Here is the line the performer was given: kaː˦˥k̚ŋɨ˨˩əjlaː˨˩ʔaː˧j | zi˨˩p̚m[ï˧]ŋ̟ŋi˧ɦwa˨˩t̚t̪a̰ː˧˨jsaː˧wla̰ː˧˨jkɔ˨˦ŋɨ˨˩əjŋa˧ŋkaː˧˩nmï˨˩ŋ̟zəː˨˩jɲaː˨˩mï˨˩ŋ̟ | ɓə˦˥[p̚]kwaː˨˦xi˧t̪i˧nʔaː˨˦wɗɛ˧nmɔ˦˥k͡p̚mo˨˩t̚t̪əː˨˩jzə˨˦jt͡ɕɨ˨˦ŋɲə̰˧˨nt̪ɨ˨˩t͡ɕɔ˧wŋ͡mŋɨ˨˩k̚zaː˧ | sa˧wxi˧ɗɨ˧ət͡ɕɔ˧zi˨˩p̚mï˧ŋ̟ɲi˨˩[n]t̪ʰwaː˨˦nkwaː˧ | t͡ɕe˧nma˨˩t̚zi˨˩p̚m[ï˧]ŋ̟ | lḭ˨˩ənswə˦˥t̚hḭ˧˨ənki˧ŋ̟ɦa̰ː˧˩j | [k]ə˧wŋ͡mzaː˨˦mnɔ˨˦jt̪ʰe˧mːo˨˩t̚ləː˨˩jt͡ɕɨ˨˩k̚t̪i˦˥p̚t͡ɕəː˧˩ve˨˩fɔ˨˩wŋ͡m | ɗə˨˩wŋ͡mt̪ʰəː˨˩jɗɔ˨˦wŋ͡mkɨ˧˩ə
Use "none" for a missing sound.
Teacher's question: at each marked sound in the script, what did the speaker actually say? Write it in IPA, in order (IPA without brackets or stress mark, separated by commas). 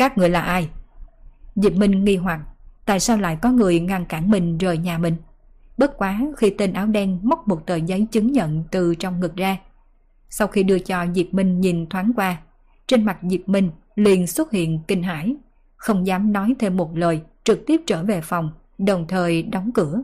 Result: ï˧, t̚, n, ï˧, x